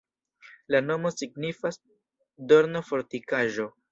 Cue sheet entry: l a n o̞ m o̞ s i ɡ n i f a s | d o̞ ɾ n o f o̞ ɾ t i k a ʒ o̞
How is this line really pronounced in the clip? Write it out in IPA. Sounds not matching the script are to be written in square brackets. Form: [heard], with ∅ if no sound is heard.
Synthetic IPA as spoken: l a n o̞ m o̞ s i ɡ n i f a s | d o̞ ɾ n o f o̞ ɾ t i k a ʒ o̞